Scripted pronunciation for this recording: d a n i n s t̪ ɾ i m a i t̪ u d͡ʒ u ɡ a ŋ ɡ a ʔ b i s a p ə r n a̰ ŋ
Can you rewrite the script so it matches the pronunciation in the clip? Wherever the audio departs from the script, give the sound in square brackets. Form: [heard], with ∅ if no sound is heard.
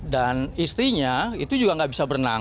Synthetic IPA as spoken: d a n i [∅] s t̪ ɾ i [ɲ] a i t̪ u d͡ʒ u ɡ a ŋ ɡ a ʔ b i s a [b] ə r n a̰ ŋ

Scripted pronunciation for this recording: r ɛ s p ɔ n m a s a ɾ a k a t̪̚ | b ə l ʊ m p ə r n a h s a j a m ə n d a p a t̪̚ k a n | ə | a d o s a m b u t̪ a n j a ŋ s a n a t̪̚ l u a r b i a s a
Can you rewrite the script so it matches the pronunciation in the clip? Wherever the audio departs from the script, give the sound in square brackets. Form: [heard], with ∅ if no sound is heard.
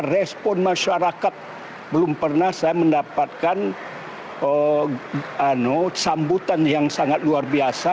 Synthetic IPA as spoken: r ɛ s p ɔ n m a [ʃ] a ɾ a k a t̪̚ | b ə l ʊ m p ə r n a h s a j a m ə n d a p a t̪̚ k a n | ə | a [n] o s a m b u t̪ a n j a ŋ s a [ŋ] a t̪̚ l u a r b i a s a

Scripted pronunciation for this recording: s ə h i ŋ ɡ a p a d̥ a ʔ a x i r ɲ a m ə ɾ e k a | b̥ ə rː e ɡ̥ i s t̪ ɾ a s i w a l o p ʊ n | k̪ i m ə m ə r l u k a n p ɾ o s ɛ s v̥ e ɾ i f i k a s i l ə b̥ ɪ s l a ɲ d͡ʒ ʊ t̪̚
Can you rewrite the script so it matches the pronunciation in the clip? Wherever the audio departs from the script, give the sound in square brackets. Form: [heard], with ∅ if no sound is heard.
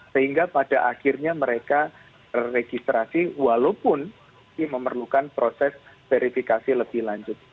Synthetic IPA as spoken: s ə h i ŋ ɡ a p a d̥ a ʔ a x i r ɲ a m ə ɾ e k a | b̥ ə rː e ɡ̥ i s t̪ ɾ a s i w a l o p ʊ n | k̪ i m ə m ə r l u k a n p ɾ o s ɛ s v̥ e ɾ i f i k a s i l ə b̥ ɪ [h] l a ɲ d͡ʒ ʊ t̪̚

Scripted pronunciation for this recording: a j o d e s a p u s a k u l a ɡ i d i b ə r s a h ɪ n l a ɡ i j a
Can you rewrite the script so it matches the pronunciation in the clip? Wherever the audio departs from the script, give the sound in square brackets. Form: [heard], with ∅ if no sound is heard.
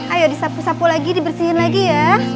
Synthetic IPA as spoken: a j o d [i] s a p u s a [p] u l a ɡ i d i b ə r s [i] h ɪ n l a ɡ i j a

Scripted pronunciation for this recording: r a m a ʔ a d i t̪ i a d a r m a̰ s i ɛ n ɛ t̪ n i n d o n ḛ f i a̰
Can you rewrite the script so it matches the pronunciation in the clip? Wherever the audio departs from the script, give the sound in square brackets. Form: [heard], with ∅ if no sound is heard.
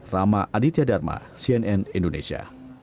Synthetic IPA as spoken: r a m a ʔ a d i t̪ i a d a r m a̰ s i ɛ n ɛ [∅] n i n d o n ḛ [s] i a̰

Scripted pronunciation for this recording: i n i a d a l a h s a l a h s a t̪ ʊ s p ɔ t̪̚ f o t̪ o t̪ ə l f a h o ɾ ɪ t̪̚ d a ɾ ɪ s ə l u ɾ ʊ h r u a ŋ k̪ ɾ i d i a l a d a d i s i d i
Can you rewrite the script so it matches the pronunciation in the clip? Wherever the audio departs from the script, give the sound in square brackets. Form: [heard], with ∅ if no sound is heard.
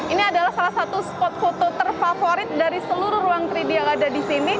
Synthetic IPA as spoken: i n i a d a l a h s a l a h s a t̪ [u] s p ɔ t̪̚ f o t̪ o t̪ ə [r] f a [f] o ɾ ɪ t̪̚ d a ɾ [i] s ə l u ɾ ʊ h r u a ŋ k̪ ɾ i d i a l a d a d i s i [n] i

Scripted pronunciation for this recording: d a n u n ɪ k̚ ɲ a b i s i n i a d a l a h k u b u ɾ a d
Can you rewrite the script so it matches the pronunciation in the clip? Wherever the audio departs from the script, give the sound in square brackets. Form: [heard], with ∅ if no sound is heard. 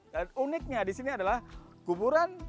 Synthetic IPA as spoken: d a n u n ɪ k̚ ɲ a [d] i s i n i a d a l a h k u b u ɾ a [n]

